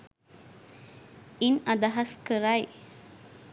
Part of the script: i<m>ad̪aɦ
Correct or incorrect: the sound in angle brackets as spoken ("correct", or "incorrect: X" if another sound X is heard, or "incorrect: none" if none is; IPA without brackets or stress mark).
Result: incorrect: n